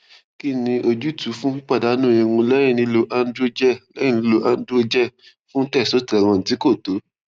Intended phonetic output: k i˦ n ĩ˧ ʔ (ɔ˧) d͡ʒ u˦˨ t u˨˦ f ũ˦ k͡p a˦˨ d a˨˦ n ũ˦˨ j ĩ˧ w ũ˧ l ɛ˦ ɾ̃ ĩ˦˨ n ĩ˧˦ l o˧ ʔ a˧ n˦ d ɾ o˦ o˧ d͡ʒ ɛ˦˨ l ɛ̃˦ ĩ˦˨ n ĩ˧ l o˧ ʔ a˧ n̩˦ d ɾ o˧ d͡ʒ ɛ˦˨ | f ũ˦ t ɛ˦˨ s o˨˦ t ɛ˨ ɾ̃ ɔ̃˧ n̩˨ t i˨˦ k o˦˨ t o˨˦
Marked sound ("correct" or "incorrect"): incorrect